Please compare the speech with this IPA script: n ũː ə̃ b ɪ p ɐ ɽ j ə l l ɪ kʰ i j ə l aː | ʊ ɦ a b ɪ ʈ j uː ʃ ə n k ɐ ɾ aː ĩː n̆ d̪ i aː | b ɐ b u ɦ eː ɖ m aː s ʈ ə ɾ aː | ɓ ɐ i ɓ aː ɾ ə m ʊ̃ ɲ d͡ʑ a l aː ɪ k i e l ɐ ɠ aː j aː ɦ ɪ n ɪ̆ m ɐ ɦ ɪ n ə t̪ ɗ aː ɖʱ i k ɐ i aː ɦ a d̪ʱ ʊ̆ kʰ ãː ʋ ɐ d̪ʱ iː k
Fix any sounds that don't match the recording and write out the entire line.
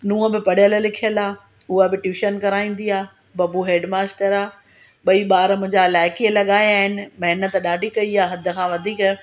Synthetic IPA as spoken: n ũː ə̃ b ɪ p ɐ ɽ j ə l l ɪ kʰ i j ə l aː | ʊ ɦ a b ɪ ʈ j uː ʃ ə n k ɐ ɾ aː ĩː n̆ d̪ i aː | b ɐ b u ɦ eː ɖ m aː s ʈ ə ɾ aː | ɓ ɐ i ɓ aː ɾ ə m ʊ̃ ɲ d͡ʑ a l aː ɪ k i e l ɐ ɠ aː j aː ɦ ɪ n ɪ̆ m ɐ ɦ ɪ n ə t̪ ɗ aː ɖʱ i k ɐ i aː ɦ ɐ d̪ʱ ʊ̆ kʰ ãː ʋ ɐ d̪ʱ iː k